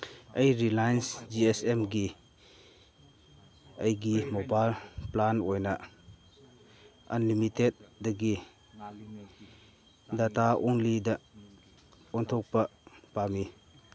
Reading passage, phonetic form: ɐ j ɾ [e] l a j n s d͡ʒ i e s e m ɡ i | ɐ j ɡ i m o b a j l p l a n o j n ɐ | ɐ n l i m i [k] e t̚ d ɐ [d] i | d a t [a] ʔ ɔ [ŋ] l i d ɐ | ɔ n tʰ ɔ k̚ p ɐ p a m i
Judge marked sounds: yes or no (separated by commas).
no, no, no, yes, yes